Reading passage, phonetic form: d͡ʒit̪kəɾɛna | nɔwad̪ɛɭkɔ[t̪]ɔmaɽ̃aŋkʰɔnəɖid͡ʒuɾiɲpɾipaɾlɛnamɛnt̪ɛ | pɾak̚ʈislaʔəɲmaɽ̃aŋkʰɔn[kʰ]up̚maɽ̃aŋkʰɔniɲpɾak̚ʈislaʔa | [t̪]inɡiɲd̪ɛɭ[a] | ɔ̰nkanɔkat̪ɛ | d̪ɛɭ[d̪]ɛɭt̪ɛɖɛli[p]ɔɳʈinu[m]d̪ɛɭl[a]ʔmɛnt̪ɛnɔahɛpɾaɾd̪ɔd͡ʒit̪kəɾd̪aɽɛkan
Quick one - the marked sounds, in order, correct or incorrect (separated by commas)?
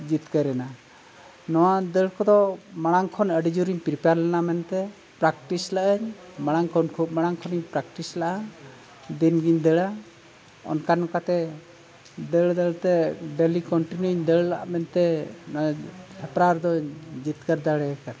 incorrect, correct, incorrect, correct, correct, incorrect, incorrect, correct